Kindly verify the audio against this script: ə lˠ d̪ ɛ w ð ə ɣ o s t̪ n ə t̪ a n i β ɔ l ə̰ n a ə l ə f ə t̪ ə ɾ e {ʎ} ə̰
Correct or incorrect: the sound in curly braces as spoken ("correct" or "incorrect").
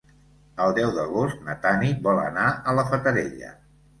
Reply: correct